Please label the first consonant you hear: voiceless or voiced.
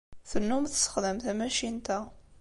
voiceless